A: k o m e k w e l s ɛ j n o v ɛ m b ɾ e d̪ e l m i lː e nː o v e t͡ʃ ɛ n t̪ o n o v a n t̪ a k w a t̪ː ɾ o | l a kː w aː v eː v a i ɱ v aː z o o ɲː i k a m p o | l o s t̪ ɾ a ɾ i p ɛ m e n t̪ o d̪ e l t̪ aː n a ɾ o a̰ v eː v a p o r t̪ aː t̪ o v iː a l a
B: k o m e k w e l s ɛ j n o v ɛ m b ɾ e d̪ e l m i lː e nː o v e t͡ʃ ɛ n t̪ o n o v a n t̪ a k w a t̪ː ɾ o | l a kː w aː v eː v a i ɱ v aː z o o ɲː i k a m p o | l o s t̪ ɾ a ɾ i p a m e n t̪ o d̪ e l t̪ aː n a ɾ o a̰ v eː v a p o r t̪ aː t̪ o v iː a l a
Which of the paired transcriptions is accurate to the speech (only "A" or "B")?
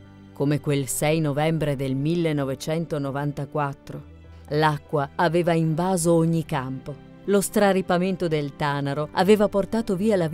B